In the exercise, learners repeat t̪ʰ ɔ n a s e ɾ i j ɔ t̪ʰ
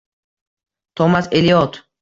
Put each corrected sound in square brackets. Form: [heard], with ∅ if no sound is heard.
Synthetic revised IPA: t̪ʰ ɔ [m] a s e [l] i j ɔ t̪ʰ